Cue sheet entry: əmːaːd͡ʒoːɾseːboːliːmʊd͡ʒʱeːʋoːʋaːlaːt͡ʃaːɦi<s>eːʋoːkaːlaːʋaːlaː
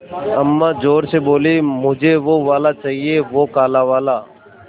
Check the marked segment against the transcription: incorrect: none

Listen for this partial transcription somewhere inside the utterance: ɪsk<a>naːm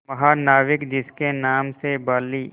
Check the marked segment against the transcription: incorrect: e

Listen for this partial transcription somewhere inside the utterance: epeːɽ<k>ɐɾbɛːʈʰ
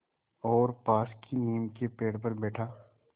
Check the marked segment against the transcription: incorrect: p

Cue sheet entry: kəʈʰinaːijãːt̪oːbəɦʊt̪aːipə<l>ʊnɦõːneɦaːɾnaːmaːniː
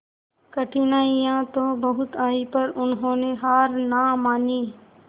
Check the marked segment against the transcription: incorrect: ɾ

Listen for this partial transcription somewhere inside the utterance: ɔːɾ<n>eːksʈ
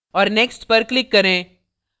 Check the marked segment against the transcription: correct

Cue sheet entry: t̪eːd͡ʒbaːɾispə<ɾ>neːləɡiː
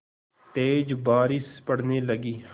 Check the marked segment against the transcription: incorrect: ɽ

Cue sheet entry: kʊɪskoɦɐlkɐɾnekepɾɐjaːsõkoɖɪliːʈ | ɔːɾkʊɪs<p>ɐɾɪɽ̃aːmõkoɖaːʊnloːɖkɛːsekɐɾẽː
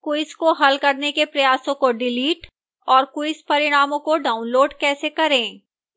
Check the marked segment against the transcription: correct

